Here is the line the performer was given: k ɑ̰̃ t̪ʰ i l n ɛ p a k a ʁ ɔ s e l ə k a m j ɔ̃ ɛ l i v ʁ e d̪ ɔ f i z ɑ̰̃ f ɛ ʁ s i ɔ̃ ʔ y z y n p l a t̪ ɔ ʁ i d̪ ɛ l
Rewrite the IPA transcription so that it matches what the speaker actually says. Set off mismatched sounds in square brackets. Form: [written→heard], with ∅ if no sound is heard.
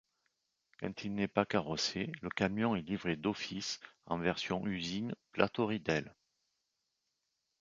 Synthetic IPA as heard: k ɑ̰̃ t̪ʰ i l n ɛ p a k a ʁ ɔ s e l ə k a m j ɔ̃ ɛ l i v ʁ e d̪ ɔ f i [z→s] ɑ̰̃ [f→v] ɛ ʁ s [i→j] ɔ̃ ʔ y z [y→i] n p l a t̪ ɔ ʁ i d̪ ɛ l

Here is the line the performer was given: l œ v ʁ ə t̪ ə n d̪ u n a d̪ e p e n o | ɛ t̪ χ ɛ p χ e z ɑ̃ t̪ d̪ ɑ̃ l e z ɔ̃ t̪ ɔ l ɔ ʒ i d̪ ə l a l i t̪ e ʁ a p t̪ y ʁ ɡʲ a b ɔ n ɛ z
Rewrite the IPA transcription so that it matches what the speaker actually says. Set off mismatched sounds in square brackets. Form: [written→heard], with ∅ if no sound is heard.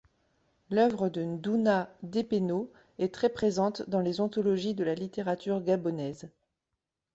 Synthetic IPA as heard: l œ v ʁ ə [t̪→d̪] ə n d̪ u n a d̪ e p e n o | ɛ t̪ χ ɛ p χ e z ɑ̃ t̪ d̪ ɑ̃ l e z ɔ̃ t̪ ɔ l ɔ ʒ i d̪ ə l a l i t̪ e ʁ a [p→∅] t̪ y ʁ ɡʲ a b ɔ n ɛ z

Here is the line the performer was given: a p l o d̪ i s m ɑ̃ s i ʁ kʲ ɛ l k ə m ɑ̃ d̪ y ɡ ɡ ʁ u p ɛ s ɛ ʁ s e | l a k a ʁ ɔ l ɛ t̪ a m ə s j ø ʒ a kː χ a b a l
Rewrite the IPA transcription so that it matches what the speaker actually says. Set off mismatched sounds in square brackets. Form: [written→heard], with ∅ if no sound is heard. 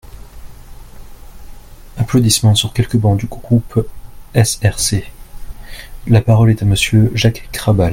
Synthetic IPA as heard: a p l o d̪ i s m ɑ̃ s [i→y] ʁ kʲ ɛ l k ə [m→b] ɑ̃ d̪ y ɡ ɡ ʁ u p ɛ s ɛ ʁ s e | l a [k→p] a ʁ ɔ l ɛ t̪ a m ə s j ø ʒ a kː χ a b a l

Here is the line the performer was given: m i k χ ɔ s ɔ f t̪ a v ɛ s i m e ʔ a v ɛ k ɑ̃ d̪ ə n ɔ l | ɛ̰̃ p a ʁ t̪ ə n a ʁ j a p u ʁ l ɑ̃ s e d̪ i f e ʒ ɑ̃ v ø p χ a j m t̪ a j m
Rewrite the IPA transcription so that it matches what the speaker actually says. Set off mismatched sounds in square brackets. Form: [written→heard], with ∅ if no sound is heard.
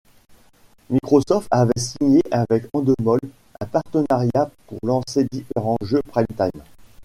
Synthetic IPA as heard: m i k χ ɔ s ɔ f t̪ a v ɛ s i [m→ɲ] e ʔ a v ɛ k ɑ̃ d̪ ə [n→m] ɔ l | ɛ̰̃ p a ʁ t̪ ə n a ʁ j a p u ʁ l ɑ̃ s e d̪ i f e [ʒ→ʁ] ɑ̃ [v→ʒ] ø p χ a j m t̪ a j m

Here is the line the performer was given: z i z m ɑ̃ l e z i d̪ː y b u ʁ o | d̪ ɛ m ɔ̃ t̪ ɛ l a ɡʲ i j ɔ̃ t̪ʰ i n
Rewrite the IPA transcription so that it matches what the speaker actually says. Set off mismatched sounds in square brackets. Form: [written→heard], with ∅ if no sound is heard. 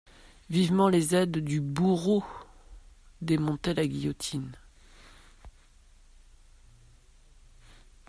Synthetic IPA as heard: [z→v] i [z→v] m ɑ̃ l e z [i→ɛ] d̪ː y b u ʁ o | d̪ [ɛ→e] m ɔ̃ t̪ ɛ l a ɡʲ i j [ɔ̃→ɔ] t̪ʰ i n

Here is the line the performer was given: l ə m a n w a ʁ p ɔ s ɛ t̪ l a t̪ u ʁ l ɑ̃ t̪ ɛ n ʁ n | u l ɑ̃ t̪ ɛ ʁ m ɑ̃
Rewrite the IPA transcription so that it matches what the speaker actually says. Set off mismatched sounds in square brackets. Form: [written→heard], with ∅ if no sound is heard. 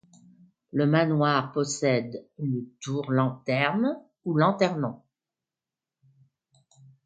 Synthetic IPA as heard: l ə m a n w a ʁ p ɔ s ɛ [t̪→d̪] l [a→ə] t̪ u ʁ l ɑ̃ t̪ ɛ [n→∅] ʁ n | u l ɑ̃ t̪ ɛ ʁ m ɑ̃

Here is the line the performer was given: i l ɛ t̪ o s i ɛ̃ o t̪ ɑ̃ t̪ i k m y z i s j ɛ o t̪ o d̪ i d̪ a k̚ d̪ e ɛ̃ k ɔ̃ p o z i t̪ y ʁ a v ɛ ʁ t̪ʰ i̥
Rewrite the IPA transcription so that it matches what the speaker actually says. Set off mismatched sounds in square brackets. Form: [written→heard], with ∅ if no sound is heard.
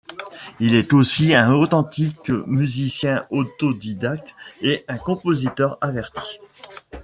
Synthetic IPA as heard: i l ɛ t̪ o s i ɛ̃ o t̪ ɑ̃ t̪ i k m y z i s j [ɛ→ɛ̃] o t̪ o d̪ i d̪ a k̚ [d̪→t̪] e ɛ̃ k ɔ̃ p o z i t̪ [y→œ] ʁ a v ɛ ʁ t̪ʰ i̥

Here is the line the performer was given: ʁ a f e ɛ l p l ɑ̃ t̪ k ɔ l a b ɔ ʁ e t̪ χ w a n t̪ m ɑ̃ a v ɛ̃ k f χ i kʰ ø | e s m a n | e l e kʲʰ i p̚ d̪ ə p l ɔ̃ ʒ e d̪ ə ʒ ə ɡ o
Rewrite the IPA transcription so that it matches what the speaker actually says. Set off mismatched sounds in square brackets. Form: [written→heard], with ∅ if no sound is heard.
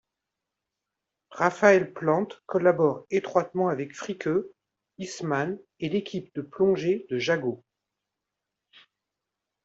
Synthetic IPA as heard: ʁ a f [e→a] ɛ l p l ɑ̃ t̪ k ɔ l a b ɔ ʁ e t̪ χ w a [n→∅] t̪ m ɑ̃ a v [ɛ̃→ɛ] k f χ i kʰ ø | [e→i] s m a n | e l e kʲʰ i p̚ d̪ ə p l ɔ̃ ʒ e d̪ ə ʒ [ə→a] ɡ o

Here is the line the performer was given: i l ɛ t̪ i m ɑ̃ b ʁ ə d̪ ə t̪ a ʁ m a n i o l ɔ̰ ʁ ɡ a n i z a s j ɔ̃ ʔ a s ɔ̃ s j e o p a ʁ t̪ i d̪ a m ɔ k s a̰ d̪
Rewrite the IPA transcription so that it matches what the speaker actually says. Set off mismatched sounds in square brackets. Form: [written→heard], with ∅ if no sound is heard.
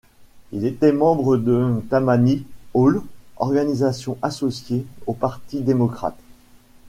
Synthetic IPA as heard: i l [ɛ→e] t̪ [i→ɛ] m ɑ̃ b ʁ ə d̪ ə t̪ a [ʁ→∅] m a n i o l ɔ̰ ʁ ɡ a n i z a s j ɔ̃ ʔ a s [ɔ̃→ɔ] s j e o p a ʁ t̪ i d̪ [a→e] m ɔ k [s→χ] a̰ [d̪→t̪]

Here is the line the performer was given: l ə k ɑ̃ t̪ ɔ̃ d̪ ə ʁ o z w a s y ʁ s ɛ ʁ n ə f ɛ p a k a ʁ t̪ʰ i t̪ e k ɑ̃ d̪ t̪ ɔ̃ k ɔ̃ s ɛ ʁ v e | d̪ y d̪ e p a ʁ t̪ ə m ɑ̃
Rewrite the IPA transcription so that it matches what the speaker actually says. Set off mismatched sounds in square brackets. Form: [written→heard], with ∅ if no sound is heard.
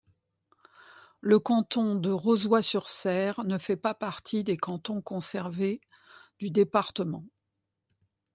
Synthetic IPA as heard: l ə k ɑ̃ t̪ ɔ̃ d̪ ə ʁ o z w a s y ʁ s ɛ ʁ n ə f ɛ p a [k→p] a ʁ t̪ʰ i [t̪→d̪] e k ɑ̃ [d̪→∅] t̪ ɔ̃ k ɔ̃ s ɛ ʁ v e | d̪ y d̪ e p a ʁ t̪ ə m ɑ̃

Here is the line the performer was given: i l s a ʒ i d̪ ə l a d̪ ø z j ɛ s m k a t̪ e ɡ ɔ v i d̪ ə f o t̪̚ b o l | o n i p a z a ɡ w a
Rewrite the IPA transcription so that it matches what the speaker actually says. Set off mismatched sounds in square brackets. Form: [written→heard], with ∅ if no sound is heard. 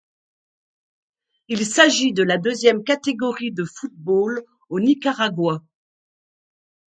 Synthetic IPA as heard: i l s a ʒ i d̪ ə l a d̪ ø z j ɛ [s→∅] m k a t̪ e ɡ ɔ [v→ʁ] i d̪ ə f [o→u] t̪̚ b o l | o n i [p→k] a [z→ʁ] a ɡ w a

